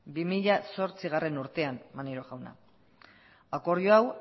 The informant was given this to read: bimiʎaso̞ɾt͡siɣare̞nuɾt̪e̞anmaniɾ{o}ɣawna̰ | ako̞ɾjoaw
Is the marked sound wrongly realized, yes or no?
no